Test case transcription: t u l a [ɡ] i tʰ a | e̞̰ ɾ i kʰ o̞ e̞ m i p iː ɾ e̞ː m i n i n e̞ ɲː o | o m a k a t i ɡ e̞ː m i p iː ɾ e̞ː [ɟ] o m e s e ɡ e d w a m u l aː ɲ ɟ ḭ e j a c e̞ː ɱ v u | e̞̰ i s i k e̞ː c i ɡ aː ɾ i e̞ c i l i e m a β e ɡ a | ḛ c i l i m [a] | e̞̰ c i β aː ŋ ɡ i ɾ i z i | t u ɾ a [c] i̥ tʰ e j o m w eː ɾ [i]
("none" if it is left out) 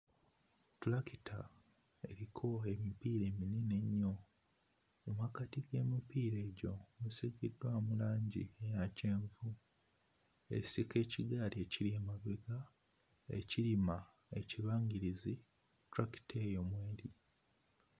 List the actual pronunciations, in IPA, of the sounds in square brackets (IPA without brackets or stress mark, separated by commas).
k, ɟ, a, k, i